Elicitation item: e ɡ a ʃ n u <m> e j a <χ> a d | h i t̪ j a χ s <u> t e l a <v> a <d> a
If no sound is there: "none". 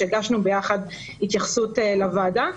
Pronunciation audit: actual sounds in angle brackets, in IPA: b, χ, u, v, d

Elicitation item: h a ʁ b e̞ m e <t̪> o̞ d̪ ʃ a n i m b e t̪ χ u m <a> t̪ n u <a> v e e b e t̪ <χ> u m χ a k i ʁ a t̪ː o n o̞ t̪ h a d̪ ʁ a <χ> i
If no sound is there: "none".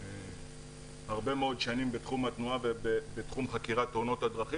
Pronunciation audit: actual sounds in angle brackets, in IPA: none, a, a, χ, χ

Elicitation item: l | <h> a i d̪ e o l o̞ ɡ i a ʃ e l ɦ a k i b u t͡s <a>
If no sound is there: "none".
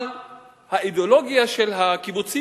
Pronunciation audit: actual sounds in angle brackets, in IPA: h, i

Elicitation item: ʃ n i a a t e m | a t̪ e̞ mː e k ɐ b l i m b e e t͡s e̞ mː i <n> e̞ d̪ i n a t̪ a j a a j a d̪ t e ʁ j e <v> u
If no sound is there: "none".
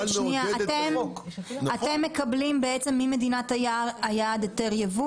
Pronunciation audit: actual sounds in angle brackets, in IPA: m, v

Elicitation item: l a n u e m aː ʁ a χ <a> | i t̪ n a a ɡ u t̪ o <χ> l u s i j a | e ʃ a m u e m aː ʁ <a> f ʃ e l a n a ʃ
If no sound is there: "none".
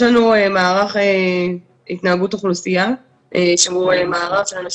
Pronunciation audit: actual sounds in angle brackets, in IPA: e, χ, a

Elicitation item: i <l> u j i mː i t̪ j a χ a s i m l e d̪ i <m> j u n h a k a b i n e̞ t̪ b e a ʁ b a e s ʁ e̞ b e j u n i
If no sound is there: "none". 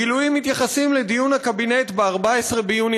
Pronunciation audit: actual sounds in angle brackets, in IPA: l, none

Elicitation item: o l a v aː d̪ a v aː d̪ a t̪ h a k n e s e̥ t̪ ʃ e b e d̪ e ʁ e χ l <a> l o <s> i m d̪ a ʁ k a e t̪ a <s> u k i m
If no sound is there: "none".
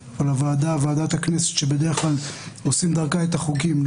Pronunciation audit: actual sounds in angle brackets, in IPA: a, s, χ

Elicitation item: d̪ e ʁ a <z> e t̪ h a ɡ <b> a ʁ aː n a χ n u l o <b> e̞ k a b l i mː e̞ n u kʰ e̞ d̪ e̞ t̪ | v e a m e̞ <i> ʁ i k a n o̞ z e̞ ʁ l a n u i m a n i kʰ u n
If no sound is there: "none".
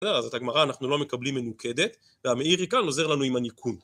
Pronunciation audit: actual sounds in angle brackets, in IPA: z, m, m, i

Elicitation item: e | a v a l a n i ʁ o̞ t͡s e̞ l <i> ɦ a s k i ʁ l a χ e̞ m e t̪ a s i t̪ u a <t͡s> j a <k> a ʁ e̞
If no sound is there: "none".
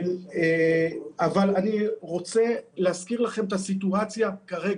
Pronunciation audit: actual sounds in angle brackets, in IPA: e, t͡s, k

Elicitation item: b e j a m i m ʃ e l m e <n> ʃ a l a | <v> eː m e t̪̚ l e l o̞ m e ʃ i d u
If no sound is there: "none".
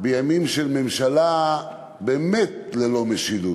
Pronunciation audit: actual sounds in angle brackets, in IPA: m, b

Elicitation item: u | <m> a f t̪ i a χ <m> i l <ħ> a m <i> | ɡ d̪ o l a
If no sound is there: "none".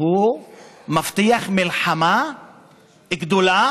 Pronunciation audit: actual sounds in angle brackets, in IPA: m, m, ħ, a

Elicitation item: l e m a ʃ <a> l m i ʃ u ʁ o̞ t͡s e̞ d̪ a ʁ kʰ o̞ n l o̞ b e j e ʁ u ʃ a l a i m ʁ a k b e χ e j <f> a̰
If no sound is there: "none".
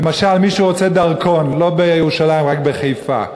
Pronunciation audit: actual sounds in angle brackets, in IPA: a, f

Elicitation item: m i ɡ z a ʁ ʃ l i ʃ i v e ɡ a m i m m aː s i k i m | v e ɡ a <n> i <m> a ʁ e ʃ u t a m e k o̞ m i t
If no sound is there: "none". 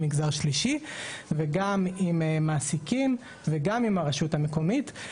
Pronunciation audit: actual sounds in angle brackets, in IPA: m, m

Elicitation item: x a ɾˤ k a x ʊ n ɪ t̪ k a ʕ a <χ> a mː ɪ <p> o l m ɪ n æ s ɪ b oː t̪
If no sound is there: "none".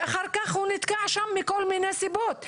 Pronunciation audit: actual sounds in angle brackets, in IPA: ʃ, k

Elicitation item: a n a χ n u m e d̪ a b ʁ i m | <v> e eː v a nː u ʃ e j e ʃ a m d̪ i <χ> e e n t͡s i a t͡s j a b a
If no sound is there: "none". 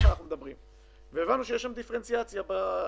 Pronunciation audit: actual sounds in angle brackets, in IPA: v, f

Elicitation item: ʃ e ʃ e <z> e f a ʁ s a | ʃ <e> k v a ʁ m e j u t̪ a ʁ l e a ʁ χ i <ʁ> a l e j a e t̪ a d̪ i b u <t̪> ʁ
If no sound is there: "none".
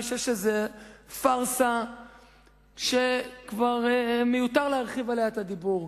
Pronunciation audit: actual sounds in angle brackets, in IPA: z, e, v, none

